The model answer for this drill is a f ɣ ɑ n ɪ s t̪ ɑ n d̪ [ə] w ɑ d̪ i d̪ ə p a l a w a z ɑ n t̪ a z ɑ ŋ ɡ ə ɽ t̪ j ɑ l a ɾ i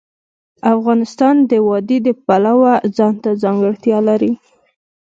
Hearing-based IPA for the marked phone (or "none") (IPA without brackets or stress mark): ə